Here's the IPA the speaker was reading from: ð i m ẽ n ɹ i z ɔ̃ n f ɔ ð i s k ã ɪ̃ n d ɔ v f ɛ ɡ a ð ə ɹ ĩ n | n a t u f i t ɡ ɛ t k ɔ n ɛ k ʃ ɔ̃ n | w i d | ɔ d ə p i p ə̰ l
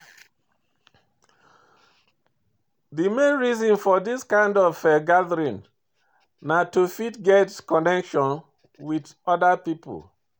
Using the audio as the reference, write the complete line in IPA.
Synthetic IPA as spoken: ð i m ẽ n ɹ i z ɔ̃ n f ɔ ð i s k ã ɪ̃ n d ɔ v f ɛ ɡ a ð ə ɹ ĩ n | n a t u f i t ɡ ɛ t k ɔ n ɛ k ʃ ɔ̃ n | w i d | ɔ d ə p i p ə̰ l